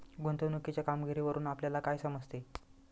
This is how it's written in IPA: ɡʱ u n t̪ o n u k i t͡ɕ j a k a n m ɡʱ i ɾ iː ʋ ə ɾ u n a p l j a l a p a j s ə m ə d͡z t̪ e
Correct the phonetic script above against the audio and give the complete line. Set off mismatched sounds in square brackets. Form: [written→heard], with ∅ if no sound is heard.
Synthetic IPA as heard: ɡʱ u n t̪ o n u k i t͡ɕ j a k a [n→∅] m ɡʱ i ɾ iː ʋ ə ɾ [u→uː] n a p l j a l a [p→k] a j s ə m ə d͡z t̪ e